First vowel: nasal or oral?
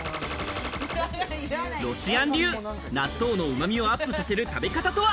oral